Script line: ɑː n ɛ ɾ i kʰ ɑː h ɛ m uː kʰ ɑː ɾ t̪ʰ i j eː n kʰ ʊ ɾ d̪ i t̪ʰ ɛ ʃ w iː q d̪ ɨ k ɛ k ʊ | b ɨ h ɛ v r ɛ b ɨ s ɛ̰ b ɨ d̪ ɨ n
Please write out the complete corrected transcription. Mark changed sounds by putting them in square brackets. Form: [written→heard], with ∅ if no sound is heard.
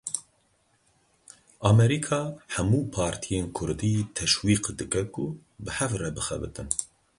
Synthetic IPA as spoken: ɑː [n→m] ɛ ɾ i kʰ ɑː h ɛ m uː [kʰ→pʰ] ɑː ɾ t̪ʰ i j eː n kʰ ʊ ɾ d̪ i t̪ʰ ɛ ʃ w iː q d̪ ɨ k ɛ k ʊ | b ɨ h ɛ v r ɛ b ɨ [s→x] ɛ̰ b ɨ [d̪→t̪] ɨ n